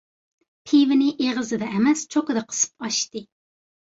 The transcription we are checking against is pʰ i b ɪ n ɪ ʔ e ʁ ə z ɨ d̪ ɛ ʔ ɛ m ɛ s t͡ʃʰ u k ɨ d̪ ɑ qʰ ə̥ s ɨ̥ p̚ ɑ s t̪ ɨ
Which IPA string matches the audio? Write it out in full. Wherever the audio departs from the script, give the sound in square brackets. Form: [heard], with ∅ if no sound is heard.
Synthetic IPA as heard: pʰ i [v] ɪ n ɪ ʔ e ʁ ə z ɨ d̪ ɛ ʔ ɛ m ɛ s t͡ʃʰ [o] k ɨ d̪ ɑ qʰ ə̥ s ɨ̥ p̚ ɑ [ʃ] t̪ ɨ